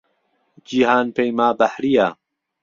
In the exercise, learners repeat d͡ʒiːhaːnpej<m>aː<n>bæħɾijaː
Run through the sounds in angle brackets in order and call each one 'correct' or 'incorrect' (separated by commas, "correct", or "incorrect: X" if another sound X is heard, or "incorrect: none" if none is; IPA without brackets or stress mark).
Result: correct, incorrect: none